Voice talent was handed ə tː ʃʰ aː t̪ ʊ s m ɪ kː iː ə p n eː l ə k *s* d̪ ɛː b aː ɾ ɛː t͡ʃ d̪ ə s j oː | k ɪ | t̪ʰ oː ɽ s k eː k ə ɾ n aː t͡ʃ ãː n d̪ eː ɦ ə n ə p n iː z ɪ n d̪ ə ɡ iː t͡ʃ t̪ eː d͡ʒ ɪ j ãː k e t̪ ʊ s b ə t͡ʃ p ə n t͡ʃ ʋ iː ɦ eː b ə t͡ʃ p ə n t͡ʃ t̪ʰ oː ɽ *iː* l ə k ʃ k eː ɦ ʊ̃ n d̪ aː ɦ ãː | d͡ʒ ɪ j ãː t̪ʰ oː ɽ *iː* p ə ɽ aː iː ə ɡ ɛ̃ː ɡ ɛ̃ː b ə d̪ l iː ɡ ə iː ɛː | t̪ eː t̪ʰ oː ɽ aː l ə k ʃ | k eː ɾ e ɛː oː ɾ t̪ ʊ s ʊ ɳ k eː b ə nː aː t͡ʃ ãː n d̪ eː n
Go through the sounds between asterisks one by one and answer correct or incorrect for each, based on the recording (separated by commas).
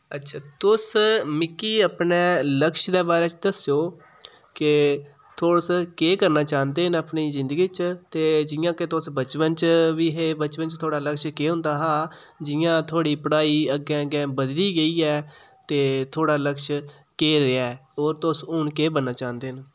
incorrect, incorrect, correct